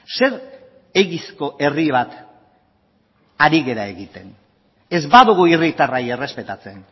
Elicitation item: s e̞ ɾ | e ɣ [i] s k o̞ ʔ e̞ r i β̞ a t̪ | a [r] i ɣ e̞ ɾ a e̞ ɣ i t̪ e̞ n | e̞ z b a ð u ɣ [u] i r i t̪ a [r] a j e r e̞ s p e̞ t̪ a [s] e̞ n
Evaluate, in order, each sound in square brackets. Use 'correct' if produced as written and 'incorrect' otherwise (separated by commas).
correct, incorrect, correct, correct, incorrect